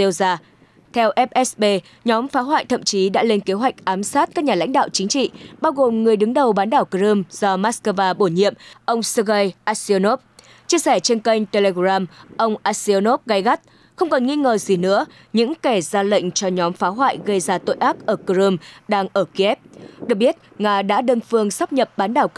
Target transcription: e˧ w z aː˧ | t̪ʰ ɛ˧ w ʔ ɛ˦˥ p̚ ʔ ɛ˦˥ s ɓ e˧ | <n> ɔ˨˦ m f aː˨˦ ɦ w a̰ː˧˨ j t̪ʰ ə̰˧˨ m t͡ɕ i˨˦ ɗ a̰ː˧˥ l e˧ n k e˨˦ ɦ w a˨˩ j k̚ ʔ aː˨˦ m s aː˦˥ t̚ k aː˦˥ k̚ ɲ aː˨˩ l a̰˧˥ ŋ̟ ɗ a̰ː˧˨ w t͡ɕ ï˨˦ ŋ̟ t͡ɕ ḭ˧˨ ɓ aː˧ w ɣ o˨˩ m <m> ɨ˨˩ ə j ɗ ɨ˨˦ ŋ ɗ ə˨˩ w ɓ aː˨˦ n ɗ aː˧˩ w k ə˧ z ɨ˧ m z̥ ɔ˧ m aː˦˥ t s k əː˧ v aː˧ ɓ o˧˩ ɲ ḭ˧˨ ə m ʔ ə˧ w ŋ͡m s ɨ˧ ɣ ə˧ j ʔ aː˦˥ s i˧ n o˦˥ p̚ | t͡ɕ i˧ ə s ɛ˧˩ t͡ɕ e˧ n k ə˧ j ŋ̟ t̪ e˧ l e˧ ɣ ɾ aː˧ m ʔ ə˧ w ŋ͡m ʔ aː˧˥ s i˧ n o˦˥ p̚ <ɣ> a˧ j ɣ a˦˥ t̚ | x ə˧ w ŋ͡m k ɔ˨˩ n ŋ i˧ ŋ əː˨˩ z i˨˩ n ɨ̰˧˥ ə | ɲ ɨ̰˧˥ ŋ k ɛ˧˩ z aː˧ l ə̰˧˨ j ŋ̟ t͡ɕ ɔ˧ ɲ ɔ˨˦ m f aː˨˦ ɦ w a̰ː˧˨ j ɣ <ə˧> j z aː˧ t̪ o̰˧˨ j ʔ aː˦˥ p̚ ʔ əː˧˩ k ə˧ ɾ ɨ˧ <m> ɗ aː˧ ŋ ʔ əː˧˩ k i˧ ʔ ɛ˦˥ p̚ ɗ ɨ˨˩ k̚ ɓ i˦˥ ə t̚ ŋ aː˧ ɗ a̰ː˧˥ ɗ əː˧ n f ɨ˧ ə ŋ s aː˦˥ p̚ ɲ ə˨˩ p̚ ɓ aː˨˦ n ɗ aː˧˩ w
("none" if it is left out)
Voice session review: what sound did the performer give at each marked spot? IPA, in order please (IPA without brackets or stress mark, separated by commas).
ɲ, ŋ, ɣ, ə˧, m